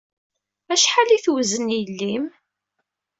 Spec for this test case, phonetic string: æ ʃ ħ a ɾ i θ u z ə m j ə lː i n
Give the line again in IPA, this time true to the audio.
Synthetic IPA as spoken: æ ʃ ħ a l i θ w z ə n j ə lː i m